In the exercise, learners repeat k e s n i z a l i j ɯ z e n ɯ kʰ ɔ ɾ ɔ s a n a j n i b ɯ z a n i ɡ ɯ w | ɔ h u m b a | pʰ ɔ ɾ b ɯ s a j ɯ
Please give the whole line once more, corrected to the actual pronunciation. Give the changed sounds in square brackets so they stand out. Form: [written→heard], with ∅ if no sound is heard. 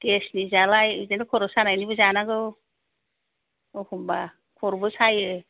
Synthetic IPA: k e s n i z a l [i→a] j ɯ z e n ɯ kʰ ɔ ɾ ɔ s a n a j n i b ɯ z a n [i→a] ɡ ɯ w | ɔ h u m b a | [pʰ→kʰ] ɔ ɾ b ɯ s a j ɯ

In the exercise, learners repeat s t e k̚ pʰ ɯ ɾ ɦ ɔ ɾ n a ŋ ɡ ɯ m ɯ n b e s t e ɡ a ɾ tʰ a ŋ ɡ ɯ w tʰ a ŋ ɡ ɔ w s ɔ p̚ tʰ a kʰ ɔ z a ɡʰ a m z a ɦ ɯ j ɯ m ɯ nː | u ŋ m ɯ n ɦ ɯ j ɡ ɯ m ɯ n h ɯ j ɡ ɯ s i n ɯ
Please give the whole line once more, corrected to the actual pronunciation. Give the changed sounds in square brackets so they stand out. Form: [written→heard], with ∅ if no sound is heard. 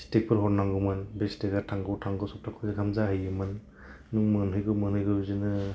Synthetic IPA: s t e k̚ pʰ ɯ ɾ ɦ ɔ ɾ n a ŋ ɡ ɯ m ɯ n b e s t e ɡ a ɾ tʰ a ŋ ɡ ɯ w tʰ a ŋ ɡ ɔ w s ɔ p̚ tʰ a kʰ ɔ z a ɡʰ a m z a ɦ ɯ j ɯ m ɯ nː | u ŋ m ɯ n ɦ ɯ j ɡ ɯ m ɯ n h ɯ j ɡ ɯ [s→z] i n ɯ

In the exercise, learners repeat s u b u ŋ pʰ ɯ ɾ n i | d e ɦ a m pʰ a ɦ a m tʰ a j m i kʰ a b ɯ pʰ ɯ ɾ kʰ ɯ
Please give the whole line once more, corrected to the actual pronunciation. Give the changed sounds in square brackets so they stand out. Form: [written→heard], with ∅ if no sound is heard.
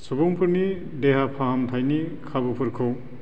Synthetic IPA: s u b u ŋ pʰ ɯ ɾ n i | d e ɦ a [m→∅] pʰ a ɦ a m tʰ a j [m→n] i kʰ a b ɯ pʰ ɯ ɾ kʰ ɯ

